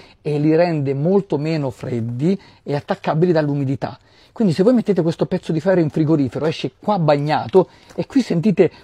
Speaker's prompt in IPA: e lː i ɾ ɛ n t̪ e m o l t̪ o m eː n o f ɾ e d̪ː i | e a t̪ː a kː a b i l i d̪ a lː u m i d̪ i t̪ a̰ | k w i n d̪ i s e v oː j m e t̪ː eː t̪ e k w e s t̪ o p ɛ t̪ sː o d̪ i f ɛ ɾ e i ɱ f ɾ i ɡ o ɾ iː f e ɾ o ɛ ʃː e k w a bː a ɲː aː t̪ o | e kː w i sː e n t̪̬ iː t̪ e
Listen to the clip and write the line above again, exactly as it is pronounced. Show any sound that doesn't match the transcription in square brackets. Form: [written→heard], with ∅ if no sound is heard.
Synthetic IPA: e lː i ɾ ɛ n [t̪→d̪] e m o l t̪ o m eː n o f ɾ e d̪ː i | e a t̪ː a kː a b i l i d̪ a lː u m i d̪ i t̪ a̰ | k w i n d̪ i s e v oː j m e t̪ː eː t̪ e k w e s t̪ o p ɛ t̪ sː o d̪ i f ɛ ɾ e i ɱ f ɾ i ɡ o ɾ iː f e ɾ o ɛ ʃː e k w a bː a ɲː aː t̪ o | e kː w i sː e n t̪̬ iː t̪ e